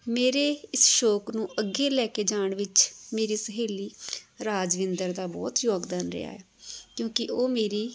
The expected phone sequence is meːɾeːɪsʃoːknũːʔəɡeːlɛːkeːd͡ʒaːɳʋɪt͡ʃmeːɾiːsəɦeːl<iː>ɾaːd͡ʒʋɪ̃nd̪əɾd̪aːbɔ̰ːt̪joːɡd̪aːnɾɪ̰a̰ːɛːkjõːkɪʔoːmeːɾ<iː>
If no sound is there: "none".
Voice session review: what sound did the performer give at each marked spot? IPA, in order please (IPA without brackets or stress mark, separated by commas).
iː, iː